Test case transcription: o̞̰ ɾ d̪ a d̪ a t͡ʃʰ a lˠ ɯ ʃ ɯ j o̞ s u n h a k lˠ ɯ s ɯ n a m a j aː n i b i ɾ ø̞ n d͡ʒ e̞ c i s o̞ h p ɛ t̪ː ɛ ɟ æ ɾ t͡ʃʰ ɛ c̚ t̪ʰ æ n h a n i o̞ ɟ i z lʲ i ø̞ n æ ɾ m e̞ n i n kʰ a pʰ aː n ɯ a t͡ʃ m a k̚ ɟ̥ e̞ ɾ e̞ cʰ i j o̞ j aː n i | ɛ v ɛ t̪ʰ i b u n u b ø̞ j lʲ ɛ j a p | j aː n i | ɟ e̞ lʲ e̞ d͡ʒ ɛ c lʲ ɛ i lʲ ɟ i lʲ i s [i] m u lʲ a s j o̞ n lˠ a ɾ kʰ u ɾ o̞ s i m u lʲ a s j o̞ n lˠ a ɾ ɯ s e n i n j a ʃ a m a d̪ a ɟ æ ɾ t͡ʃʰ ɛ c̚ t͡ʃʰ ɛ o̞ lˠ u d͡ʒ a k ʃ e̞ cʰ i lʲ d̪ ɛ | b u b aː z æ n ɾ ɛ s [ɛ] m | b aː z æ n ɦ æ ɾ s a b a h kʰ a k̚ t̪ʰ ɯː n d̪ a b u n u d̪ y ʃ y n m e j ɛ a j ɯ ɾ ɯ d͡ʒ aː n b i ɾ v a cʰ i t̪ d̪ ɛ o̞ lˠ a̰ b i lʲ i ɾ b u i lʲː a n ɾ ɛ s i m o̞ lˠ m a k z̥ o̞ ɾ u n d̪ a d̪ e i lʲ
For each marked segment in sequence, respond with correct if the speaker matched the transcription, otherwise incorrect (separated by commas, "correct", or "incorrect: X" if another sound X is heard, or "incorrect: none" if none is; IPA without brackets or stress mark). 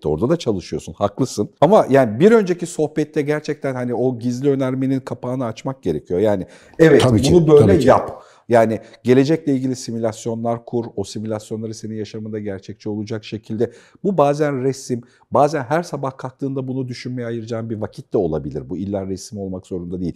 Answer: correct, incorrect: i